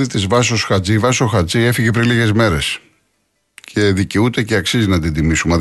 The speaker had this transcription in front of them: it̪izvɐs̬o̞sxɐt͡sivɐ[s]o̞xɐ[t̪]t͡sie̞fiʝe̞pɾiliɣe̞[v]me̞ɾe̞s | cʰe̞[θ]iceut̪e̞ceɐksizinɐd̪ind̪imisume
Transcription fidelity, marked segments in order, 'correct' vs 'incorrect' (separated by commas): correct, incorrect, incorrect, incorrect